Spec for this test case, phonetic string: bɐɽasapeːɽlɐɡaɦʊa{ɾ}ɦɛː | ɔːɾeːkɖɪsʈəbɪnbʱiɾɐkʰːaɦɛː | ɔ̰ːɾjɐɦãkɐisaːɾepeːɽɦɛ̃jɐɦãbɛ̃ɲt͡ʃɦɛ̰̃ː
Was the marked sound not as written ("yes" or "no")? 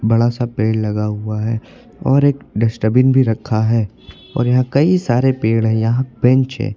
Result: yes